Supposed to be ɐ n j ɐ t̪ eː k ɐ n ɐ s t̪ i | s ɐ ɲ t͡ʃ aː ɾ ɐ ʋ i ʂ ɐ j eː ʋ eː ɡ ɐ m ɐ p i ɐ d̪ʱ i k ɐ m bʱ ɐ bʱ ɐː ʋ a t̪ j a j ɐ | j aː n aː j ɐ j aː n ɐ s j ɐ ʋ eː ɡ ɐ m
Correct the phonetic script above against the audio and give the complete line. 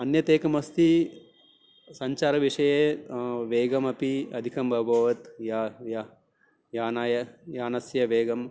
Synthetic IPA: ɐ n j ɐ t̪ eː k ɐ m ɐ s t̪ i | s ɐ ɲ t͡ʃ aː ɾ ɐ ʋ i ʂ ɐ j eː ʋ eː ɡ ɐ m ɐ p i ɐ d̪ʱ i k ɐ m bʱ ɐ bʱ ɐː ʋ ɐ t̪ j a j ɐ | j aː n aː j ɐ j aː n ɐ s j ɐ ʋ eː ɡ ɐ m

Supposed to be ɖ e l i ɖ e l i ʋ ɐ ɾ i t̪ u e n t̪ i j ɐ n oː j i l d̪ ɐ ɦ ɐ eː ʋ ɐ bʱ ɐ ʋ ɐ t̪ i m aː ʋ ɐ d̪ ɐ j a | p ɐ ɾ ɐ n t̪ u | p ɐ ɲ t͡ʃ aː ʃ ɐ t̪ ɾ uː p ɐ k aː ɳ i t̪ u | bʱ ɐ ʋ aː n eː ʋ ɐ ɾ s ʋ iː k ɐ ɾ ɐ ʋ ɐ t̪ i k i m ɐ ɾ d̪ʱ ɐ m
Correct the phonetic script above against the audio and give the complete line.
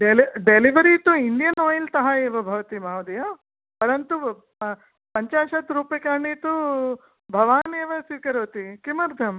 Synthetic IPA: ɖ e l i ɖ e l i ʋ ɐ ɾ i t̪ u i n d̪ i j ɐ n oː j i l t̪ ɐ ɦ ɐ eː ʋ ɐ bʱ ɐ ʋ ɐ t̪ i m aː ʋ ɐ d̪ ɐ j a | p ɐ ɾ ɐ n t̪ u | p ɐ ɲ t͡ʃ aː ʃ ɐ t̪ ɾ uː p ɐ k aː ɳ i t̪ u | bʱ ɐ ʋ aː n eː ʋ ɐ s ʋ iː k ɐ ɾ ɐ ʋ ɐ t̪ i k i m ɐ ɾ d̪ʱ ɐ m

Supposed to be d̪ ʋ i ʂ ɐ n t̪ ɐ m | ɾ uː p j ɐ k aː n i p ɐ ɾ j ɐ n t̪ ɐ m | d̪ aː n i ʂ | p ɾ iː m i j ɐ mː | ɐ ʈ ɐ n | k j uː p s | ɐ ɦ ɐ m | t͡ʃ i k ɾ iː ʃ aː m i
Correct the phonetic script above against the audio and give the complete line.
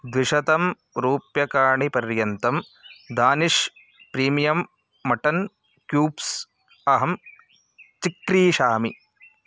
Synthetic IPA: d̪ ʋ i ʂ ɐ t̪ ɐ m | ɾ uː p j ɐ k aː ɳ i p ɐ ɾ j ɐ n t̪ ɐ m | d̪ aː n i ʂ | p ɾ iː m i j ɐ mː | ɐ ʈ ɐ n | k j uː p s | ɐ ɦ ɐ m | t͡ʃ i k ɾ iː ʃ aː m i

